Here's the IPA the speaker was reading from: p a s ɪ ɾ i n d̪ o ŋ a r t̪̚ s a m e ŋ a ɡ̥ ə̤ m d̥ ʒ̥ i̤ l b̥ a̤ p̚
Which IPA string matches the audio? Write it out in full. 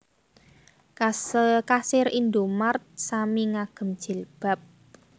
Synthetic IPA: k a s ɪ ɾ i n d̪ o m a r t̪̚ s a m i ŋ a ɡ̥ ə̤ m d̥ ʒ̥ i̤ l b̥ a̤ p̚